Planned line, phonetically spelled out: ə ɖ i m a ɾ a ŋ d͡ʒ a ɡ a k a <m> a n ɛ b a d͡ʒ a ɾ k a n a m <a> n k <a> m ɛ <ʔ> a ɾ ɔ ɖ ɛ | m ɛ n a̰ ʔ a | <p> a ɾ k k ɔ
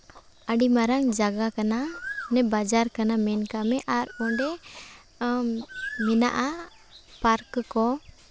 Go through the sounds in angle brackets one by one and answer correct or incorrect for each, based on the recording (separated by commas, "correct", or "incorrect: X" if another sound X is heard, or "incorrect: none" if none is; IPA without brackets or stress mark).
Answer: incorrect: n, incorrect: ɛ, correct, correct, correct